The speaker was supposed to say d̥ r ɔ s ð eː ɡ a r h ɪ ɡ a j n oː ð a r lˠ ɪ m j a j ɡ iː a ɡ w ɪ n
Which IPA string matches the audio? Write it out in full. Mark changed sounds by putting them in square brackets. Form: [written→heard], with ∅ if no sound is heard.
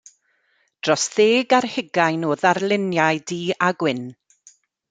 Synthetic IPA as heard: d̥ r ɔ s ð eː ɡ a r h ɪ ɡ a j n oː ð a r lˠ ɪ [m→n] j a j [ɡ→d] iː a ɡ w ɪ n